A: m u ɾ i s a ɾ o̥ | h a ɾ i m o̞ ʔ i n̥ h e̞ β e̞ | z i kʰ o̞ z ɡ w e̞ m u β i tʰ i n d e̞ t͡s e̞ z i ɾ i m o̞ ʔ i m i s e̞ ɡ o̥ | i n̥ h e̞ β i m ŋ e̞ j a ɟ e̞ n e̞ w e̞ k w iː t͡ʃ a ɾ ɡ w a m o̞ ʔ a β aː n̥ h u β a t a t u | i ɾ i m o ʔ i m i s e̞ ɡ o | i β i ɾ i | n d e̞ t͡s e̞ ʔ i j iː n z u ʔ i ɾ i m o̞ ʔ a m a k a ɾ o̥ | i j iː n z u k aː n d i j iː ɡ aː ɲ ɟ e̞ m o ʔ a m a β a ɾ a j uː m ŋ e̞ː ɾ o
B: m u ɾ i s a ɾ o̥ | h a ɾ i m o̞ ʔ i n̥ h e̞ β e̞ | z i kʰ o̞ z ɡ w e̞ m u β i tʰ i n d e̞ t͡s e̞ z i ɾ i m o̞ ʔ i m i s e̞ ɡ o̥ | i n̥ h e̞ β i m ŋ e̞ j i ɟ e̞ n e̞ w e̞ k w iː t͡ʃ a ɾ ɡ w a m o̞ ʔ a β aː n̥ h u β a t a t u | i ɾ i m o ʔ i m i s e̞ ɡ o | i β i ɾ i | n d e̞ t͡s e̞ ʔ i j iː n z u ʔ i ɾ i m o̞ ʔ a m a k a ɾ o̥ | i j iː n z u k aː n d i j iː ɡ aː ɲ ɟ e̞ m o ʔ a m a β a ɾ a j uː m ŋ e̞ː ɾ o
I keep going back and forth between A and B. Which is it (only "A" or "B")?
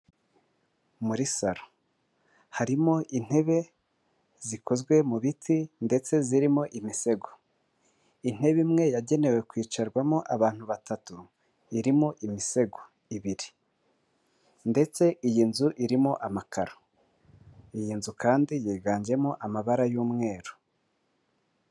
A